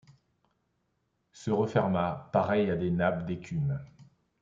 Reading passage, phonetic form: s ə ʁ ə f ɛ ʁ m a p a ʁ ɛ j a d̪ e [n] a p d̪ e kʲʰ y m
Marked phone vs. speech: correct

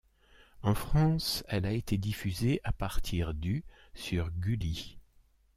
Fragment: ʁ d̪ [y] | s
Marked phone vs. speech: correct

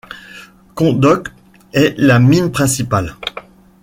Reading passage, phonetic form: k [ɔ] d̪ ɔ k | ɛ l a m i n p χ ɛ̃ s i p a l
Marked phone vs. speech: incorrect: ɔ̃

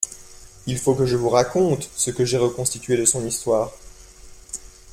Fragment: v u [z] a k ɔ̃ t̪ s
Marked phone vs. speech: incorrect: ʁ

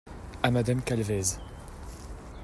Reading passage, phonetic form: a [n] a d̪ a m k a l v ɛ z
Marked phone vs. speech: incorrect: m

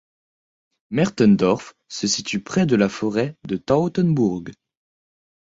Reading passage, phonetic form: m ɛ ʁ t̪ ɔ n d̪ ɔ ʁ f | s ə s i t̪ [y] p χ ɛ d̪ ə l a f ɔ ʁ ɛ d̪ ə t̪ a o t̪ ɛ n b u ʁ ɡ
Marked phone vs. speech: correct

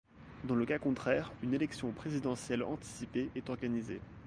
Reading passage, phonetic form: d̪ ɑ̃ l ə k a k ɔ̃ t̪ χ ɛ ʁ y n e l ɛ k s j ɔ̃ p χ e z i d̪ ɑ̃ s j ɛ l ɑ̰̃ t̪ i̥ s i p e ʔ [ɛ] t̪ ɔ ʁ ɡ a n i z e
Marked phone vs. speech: correct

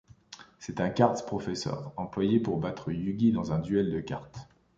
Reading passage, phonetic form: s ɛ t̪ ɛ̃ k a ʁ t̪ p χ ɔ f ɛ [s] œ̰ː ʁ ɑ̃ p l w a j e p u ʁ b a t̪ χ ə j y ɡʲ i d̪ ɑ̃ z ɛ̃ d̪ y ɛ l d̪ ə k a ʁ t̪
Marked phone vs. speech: correct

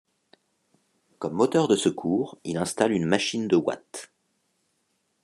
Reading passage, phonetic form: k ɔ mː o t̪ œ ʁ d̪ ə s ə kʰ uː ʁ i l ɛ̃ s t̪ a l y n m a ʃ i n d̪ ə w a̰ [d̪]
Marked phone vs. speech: incorrect: t̪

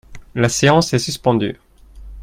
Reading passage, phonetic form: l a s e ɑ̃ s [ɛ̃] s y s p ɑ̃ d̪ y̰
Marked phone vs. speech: incorrect: ɛ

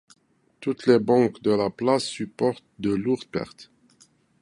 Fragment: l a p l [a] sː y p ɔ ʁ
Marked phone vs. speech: correct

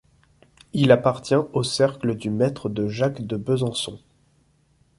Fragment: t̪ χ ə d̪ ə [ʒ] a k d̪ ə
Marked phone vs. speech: correct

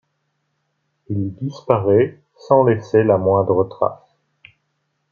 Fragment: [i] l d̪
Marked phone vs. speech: correct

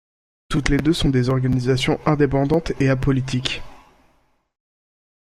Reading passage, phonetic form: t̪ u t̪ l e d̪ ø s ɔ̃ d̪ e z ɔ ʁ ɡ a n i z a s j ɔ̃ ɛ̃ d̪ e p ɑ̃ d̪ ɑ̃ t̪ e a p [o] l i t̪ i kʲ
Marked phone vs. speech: incorrect: ɔ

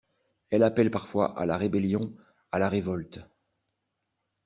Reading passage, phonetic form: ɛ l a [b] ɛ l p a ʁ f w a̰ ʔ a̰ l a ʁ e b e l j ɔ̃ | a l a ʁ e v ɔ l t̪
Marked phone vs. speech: incorrect: p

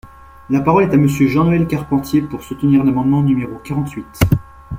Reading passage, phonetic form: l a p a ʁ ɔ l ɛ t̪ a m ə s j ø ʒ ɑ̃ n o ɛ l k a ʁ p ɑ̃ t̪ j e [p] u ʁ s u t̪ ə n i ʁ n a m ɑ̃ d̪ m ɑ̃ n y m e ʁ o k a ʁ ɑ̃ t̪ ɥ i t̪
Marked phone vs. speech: correct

